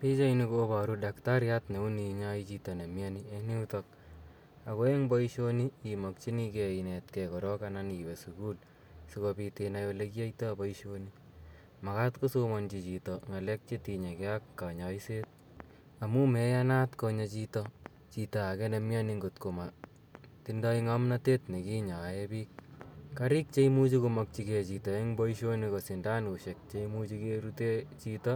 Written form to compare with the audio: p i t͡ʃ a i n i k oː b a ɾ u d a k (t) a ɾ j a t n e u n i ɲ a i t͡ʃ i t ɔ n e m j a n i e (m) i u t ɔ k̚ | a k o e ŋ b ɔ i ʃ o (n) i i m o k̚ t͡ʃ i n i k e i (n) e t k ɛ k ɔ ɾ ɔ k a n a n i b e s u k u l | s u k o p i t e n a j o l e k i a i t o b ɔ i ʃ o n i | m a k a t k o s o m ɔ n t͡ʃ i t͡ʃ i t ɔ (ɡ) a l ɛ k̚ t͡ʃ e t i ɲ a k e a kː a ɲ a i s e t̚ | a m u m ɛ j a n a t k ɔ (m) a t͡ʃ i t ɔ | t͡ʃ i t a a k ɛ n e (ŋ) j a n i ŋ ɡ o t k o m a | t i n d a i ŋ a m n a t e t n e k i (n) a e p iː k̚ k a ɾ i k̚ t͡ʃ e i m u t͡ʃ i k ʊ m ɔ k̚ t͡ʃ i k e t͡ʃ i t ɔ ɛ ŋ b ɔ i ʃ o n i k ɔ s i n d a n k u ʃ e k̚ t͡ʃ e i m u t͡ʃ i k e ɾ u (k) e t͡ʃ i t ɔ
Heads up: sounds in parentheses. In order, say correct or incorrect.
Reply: correct, incorrect, correct, correct, incorrect, incorrect, incorrect, incorrect, incorrect

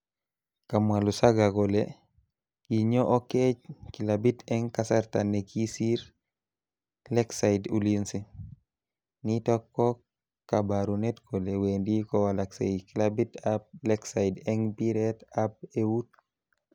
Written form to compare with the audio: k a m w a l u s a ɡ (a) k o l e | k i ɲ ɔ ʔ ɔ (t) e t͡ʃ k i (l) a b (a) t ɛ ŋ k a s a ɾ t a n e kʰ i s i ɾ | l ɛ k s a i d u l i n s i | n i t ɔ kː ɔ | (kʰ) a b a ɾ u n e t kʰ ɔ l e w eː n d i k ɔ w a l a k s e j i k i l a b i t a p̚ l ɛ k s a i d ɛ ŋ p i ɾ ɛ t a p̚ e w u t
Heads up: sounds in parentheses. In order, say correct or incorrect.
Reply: correct, incorrect, correct, incorrect, incorrect

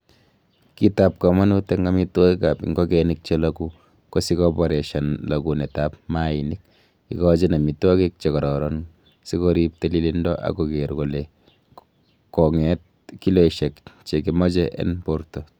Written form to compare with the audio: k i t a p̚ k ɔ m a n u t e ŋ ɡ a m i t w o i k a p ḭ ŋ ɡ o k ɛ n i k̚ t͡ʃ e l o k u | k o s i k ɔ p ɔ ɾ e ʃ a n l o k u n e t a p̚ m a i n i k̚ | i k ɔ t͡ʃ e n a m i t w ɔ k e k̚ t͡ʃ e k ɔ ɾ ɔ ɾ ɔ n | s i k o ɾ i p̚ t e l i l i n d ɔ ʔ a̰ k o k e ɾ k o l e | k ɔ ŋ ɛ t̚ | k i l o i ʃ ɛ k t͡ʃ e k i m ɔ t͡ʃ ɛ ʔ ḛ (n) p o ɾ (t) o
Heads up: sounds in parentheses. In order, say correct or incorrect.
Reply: correct, correct

